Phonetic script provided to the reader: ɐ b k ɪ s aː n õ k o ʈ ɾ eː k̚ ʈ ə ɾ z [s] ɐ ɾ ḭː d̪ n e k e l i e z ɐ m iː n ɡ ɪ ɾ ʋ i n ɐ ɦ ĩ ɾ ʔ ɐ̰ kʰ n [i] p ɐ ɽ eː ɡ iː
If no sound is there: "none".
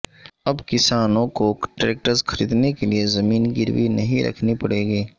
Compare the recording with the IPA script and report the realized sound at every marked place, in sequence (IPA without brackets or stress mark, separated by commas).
x, i